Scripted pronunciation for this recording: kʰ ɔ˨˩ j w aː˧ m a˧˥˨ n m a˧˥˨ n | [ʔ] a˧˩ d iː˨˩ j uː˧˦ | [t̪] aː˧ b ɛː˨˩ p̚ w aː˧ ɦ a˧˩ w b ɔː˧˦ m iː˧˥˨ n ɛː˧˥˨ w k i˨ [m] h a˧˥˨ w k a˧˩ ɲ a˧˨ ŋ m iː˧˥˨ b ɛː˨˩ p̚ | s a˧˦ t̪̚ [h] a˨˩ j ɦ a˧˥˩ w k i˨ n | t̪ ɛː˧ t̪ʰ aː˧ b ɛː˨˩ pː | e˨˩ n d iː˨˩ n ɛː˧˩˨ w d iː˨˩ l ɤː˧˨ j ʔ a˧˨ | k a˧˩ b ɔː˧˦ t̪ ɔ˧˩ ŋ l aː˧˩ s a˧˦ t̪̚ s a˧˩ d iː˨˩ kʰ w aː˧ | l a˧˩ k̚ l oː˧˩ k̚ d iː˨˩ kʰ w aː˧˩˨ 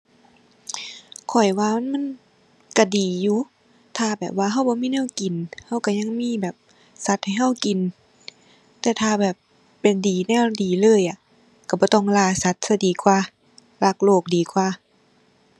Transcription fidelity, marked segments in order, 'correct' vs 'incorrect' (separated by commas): incorrect, incorrect, incorrect, correct